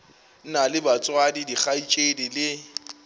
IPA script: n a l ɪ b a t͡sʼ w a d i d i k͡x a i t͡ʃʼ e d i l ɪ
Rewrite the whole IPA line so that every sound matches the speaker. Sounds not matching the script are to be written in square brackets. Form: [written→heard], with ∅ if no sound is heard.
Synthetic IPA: n a l ɪ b a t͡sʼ w a d i d i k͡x a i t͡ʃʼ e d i l ɪ

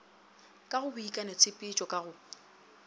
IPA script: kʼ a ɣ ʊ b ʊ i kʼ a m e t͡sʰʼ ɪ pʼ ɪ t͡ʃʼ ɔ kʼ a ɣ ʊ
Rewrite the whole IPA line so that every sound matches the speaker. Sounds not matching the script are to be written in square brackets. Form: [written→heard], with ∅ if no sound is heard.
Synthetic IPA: kʼ a ɣ ʊ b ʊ i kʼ a [m→n] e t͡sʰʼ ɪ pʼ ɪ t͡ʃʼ ɔ kʼ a ɣ ʊ

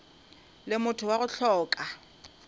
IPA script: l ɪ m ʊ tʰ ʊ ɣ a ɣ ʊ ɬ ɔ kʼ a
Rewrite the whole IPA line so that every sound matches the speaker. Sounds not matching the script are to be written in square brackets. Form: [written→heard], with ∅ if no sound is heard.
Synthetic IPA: l ɪ m ʊ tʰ ʊ [ɣ→w] a ɣ ʊ ɬ [ɔ→ɔː] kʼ a

